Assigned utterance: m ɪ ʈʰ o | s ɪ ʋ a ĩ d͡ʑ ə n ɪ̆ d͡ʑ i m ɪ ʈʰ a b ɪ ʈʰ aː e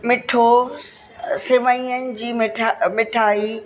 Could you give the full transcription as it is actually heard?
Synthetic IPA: m ɪ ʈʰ o | s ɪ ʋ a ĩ ə n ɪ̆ d͡ʑ iː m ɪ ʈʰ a m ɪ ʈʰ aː i